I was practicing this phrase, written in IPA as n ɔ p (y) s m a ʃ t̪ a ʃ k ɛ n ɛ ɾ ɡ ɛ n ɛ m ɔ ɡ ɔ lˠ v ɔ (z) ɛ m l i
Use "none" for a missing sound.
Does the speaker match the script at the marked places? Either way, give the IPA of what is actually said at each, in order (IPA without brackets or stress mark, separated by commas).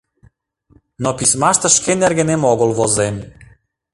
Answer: i, z